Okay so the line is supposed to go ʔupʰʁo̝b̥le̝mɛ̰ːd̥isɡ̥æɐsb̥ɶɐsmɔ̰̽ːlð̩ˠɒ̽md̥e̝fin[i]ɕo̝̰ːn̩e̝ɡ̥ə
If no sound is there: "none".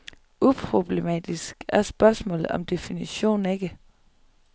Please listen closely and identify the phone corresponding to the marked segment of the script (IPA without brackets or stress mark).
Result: i